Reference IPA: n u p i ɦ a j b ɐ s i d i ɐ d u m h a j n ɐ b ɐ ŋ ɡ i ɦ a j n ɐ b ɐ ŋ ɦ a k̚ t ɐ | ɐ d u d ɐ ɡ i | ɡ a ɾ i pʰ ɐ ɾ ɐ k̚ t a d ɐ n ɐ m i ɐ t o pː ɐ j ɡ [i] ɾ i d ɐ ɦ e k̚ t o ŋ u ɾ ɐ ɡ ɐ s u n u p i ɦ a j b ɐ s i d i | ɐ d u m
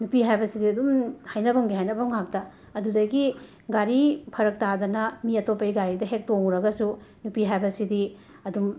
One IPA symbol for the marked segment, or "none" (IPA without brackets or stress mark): a